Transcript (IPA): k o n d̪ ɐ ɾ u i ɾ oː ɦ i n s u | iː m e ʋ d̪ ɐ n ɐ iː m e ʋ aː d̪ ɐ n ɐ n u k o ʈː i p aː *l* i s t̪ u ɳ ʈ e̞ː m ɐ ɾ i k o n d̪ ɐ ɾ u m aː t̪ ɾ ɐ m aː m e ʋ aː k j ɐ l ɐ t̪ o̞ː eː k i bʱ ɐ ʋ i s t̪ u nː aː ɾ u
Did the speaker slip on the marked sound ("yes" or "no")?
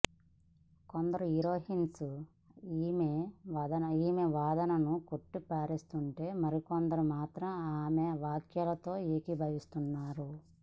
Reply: yes